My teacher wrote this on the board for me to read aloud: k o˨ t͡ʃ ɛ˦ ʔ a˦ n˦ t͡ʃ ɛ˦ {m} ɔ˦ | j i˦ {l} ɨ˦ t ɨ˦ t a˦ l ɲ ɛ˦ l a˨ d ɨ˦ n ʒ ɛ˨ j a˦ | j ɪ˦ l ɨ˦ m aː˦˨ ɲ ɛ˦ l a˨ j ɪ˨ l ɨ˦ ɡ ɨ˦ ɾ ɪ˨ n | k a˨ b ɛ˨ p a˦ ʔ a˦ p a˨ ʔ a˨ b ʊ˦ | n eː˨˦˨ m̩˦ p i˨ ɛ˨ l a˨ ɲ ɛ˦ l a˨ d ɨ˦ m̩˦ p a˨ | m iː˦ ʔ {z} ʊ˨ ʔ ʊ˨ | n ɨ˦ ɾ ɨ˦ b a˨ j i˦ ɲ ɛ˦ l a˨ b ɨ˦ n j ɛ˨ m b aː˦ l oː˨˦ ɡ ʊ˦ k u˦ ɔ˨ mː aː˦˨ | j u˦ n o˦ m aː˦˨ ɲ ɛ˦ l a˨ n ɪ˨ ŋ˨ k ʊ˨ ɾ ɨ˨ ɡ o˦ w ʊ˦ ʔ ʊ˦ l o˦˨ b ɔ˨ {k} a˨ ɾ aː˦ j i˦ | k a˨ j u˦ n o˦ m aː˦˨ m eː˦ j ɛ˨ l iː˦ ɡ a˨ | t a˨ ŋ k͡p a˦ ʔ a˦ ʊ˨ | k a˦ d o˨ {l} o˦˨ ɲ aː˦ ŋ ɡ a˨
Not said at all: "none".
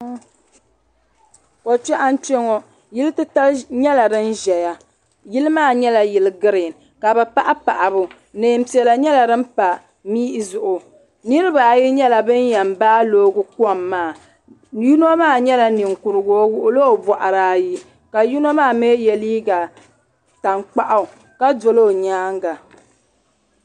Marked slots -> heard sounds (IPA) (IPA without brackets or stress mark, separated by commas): ŋ, l, z, ʔ, l